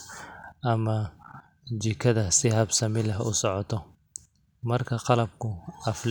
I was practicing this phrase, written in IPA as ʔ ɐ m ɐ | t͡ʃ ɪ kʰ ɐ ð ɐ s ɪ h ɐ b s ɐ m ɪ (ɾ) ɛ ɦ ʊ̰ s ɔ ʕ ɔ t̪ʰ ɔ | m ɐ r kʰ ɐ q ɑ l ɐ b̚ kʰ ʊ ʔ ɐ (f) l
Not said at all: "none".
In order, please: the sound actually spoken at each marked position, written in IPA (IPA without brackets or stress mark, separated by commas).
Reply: l, f